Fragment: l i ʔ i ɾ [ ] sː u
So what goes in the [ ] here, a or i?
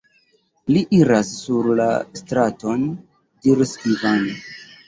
a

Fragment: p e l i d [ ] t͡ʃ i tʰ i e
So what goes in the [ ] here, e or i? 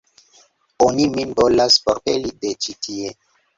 e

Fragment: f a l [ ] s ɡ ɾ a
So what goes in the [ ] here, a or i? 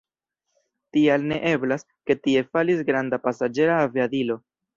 i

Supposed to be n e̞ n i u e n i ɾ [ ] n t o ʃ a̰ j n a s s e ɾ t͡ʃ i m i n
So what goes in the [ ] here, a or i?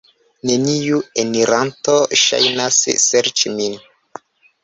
a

